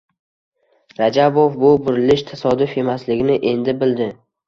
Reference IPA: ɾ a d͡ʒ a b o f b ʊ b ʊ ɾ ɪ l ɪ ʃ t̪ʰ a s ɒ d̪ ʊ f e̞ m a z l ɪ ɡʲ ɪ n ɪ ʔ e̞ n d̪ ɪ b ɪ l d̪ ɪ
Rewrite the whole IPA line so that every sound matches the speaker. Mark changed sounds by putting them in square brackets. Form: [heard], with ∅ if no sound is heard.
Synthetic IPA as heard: ɾ a d͡ʒ a b o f b ʊ b ʊ ɾ ɪ l ɪ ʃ t̪ʰ a s ɒ d̪ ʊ f e̞ m a [s] l ɪ ɡʲ ɪ n ɪ ʔ e̞ n d̪ ɪ b ɪ l d̪ ɪ